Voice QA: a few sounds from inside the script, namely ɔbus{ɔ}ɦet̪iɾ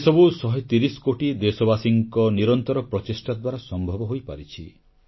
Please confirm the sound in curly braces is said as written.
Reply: yes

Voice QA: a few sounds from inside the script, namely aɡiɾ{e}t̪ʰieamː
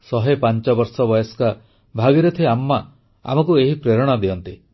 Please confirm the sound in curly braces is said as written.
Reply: yes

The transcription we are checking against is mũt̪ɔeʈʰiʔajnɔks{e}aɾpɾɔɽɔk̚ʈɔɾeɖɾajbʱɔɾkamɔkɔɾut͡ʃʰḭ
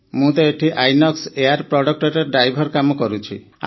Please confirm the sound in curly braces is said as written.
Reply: yes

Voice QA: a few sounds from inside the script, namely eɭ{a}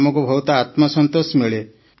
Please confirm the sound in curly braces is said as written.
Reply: no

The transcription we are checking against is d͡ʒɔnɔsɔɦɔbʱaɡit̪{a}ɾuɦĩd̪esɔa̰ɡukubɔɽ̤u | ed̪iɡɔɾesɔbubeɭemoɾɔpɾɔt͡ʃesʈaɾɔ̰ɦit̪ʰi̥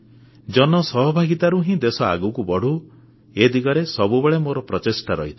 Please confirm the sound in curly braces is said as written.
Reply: yes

